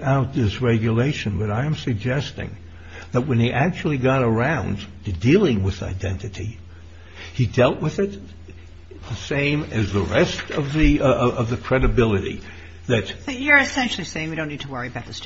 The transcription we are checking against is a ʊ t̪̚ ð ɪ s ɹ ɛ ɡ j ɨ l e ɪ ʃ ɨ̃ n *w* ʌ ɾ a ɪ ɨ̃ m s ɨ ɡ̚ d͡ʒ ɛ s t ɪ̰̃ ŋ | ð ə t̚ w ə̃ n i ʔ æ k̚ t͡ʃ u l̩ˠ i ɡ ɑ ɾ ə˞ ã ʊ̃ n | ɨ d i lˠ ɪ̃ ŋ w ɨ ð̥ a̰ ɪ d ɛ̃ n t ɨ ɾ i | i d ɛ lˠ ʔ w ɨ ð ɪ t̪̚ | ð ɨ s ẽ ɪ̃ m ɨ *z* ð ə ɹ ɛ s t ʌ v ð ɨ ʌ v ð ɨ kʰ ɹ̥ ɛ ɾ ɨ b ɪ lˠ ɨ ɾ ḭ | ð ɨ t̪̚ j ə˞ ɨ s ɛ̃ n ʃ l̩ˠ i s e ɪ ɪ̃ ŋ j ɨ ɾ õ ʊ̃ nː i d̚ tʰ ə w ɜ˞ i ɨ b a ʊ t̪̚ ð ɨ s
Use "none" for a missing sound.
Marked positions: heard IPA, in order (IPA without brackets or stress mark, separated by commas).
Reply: b, z